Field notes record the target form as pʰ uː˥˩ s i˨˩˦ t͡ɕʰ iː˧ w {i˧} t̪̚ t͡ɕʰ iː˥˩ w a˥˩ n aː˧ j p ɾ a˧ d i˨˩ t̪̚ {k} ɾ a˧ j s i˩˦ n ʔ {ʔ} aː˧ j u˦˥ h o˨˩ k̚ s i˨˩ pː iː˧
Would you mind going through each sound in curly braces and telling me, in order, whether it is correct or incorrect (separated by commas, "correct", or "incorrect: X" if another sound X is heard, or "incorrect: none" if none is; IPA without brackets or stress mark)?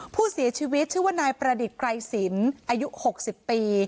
incorrect: i˦˥, correct, correct